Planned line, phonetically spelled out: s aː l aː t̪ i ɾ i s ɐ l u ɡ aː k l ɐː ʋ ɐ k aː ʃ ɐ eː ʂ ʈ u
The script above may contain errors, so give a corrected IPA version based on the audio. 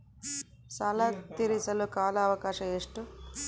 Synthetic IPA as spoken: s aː l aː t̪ i ɾ i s ɐ l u k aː l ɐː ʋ ɐ k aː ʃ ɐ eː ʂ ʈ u